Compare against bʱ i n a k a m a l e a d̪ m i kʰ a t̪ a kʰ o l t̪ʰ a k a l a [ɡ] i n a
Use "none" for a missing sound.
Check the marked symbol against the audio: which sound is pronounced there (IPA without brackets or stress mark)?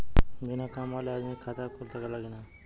ɡ